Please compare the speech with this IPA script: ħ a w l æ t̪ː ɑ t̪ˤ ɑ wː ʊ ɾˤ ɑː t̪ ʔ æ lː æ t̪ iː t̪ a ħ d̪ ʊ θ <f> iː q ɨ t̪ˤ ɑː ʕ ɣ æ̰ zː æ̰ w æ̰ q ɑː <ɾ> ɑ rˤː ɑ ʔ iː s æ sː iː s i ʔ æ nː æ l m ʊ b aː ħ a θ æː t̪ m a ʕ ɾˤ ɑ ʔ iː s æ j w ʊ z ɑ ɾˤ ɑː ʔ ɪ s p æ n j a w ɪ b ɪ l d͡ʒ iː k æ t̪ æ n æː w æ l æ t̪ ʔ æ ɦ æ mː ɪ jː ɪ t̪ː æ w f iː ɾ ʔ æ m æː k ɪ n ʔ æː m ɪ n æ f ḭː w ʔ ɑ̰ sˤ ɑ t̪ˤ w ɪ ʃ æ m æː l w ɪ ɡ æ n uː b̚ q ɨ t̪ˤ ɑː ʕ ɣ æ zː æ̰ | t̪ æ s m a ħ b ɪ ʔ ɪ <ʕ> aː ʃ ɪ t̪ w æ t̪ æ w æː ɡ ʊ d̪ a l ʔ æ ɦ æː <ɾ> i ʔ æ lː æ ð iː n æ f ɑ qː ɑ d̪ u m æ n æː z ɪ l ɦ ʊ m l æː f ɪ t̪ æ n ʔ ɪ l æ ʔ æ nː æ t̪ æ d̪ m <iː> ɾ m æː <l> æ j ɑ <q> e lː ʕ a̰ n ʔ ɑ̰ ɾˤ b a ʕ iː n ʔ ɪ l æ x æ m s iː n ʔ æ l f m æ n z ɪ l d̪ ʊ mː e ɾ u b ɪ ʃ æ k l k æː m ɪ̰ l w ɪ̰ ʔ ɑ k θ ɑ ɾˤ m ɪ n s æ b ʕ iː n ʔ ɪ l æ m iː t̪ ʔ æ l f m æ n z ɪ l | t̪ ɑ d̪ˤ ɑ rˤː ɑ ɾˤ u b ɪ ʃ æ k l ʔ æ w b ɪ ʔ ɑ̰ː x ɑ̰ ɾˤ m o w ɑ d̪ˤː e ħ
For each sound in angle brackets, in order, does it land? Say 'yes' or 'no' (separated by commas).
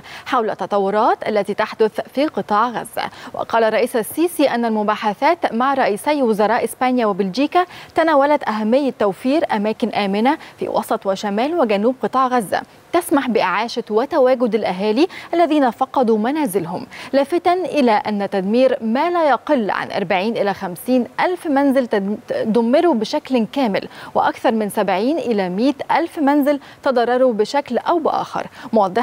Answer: yes, no, yes, no, yes, yes, yes